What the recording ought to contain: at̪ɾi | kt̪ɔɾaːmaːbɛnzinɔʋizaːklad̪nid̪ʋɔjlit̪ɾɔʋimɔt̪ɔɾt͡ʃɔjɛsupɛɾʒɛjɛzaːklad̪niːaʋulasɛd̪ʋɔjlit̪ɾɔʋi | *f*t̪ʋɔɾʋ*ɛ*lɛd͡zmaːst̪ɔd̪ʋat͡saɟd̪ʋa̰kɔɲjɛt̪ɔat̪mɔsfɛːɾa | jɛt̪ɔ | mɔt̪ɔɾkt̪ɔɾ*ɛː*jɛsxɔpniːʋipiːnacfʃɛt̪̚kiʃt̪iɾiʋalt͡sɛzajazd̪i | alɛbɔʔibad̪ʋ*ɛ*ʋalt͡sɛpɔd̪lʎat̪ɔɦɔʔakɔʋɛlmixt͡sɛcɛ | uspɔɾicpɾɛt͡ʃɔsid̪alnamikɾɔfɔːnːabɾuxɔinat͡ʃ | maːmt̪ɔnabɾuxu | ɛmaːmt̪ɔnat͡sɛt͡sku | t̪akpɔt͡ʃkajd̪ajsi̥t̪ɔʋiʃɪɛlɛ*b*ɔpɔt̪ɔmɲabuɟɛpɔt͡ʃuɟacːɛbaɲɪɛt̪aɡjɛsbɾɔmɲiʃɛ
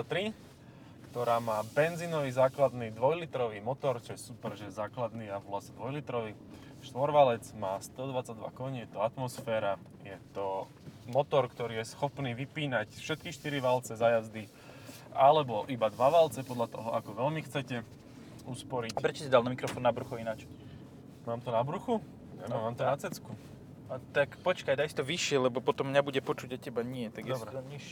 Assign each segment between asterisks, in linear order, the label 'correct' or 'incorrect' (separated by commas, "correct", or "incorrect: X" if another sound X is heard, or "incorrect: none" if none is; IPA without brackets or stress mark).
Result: incorrect: ʃ, incorrect: a, incorrect: iː, incorrect: a, correct